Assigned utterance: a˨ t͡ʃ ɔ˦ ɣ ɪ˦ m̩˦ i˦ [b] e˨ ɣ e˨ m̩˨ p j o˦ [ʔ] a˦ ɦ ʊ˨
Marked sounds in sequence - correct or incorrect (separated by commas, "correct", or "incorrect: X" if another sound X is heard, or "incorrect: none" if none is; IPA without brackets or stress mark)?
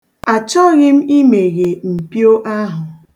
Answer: incorrect: m, correct